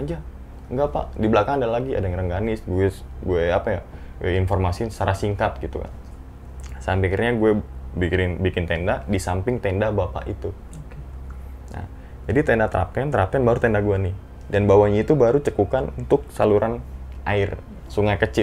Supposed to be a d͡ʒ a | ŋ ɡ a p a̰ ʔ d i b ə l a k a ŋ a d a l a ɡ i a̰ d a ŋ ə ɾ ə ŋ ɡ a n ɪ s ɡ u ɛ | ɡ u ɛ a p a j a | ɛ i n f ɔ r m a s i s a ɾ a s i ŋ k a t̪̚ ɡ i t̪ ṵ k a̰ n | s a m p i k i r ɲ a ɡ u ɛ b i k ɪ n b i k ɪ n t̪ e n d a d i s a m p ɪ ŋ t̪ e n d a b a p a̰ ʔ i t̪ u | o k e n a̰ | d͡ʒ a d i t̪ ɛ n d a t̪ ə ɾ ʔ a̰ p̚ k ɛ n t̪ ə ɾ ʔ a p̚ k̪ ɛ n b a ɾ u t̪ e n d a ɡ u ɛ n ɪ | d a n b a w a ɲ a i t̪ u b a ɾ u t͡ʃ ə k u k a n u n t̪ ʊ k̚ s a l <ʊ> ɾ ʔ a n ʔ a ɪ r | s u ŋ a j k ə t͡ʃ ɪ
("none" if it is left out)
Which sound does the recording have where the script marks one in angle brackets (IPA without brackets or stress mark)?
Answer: u